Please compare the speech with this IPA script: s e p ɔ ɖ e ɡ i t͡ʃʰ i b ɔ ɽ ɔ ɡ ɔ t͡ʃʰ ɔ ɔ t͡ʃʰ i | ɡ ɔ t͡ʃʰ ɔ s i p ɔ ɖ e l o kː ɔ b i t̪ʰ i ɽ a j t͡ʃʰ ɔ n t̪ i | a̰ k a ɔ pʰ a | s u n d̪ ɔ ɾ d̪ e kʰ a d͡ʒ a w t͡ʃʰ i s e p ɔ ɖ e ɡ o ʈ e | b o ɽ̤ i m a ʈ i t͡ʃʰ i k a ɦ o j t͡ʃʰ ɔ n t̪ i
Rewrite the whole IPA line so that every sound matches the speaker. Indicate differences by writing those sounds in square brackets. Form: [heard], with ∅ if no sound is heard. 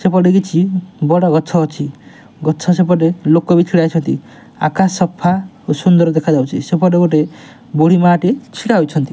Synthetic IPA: s e p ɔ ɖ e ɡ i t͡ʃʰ i b ɔ ɽ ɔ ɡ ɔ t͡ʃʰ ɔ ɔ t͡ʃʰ i | ɡ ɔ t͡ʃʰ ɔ s [e] p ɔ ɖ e l o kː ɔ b i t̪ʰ i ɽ a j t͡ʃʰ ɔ n t̪ i | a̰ k a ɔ pʰ a | s u n d̪ ɔ ɾ d̪ e kʰ a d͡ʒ a w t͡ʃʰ i s e p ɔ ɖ e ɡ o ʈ e | b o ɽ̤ i m a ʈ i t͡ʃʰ i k a ɦ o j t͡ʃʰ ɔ n t̪ i